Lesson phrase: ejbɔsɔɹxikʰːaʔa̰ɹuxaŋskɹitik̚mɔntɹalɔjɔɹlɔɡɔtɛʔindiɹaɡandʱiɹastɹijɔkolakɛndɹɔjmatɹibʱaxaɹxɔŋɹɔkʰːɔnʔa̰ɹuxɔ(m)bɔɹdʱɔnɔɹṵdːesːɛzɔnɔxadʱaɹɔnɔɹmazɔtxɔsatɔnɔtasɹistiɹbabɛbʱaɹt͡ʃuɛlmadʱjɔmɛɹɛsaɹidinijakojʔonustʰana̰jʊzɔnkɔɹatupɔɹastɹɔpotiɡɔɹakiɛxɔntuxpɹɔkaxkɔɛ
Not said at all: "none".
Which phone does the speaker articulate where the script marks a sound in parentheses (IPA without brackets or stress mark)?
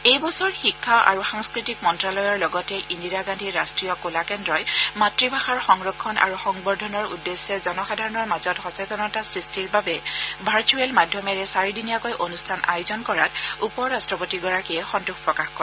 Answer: ŋ